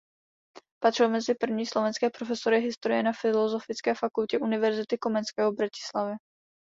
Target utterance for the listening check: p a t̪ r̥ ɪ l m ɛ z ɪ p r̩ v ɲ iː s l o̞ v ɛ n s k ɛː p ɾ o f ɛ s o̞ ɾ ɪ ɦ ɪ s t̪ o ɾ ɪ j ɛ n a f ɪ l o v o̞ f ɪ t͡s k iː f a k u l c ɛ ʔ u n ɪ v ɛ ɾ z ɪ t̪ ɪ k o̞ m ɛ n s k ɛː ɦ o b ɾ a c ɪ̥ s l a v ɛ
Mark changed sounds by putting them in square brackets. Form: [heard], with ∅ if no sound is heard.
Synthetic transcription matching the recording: p a t̪ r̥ ɪ l m ɛ z ɪ p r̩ v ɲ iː s l o̞ v ɛ n s k ɛː p ɾ o f ɛ s o̞ ɾ ɪ ɦ ɪ s t̪ o ɾ ɪ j ɛ n a f ɪ l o [z] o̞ f ɪ t͡s k [ɛː] f a k u l c ɛ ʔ u n ɪ v ɛ ɾ z ɪ t̪ ɪ k o̞ m ɛ n s k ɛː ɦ o b ɾ a c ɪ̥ s l a v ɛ